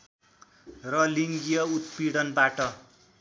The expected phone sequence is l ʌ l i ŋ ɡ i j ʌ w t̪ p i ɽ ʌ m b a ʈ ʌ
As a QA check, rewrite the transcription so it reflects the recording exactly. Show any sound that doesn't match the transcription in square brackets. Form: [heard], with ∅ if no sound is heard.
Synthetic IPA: [r] ʌ l i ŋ ɡ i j ʌ [u] t̪ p i ɽ ʌ [n] b a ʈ ʌ